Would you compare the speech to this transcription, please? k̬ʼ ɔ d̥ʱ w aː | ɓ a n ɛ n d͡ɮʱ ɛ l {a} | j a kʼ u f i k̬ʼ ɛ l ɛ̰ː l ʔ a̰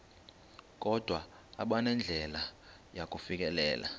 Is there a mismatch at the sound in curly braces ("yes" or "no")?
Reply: no